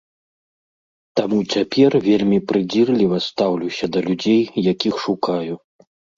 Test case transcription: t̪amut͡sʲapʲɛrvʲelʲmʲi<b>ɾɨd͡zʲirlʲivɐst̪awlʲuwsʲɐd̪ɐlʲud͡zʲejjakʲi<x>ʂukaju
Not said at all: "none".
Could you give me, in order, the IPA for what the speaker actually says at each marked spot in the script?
p, x

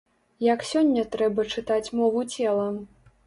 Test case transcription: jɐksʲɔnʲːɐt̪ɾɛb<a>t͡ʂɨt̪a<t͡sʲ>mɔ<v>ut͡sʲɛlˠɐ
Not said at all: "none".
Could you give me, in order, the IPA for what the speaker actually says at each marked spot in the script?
ɐ, t͡sʲ, v

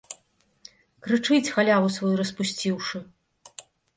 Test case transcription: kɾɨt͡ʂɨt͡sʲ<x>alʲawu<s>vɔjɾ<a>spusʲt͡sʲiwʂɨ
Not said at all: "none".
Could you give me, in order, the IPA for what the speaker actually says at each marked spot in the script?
x, s, ɐ

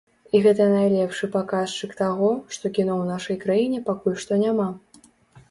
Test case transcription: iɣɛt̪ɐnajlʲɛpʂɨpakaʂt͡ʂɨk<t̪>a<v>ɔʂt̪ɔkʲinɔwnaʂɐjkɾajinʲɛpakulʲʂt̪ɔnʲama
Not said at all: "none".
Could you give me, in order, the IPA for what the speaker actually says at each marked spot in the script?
t̪, ɣ

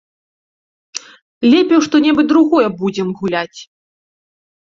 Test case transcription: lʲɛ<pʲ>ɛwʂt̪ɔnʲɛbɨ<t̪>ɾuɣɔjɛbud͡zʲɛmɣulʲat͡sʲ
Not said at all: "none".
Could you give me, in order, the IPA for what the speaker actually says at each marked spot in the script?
pʲ, d̪

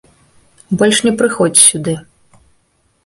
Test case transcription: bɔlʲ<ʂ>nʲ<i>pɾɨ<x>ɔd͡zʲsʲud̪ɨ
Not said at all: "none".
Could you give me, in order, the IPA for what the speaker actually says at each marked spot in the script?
ʂ, ɛ, x

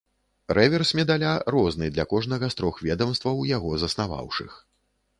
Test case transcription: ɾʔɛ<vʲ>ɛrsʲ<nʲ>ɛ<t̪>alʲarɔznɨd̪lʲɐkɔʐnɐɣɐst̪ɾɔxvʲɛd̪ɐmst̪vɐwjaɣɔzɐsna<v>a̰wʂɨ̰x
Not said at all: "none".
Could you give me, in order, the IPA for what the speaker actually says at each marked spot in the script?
vʲ, mʲ, d̪, v

